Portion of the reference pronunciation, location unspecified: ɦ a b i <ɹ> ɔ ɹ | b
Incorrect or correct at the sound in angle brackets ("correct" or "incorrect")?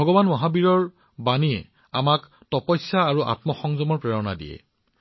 correct